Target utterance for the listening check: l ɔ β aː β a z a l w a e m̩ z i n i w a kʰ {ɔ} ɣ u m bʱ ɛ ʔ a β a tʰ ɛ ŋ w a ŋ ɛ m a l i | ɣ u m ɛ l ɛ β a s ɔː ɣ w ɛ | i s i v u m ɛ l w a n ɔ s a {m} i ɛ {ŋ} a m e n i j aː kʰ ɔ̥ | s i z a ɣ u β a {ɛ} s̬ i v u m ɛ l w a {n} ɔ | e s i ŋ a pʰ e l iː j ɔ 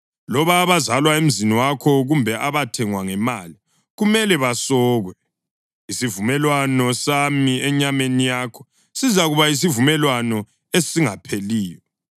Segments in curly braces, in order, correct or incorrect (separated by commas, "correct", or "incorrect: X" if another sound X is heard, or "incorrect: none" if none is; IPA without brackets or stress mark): correct, correct, incorrect: ɲ, incorrect: i, correct